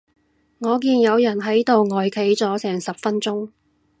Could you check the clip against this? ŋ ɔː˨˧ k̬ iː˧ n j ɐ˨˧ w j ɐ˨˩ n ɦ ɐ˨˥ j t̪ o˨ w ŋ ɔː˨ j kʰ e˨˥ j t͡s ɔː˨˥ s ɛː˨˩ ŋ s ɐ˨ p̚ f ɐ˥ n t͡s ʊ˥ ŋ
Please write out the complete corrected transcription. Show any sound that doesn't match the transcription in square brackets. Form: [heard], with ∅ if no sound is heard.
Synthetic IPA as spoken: ŋ ɔː˨˧ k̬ iː˧ n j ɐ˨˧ w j ɐ˨˩ n ɦ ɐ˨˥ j t̪ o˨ w ŋ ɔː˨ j kʰ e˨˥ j t͡s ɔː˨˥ s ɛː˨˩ ŋ s ɐ˨ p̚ f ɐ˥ n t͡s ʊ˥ ŋ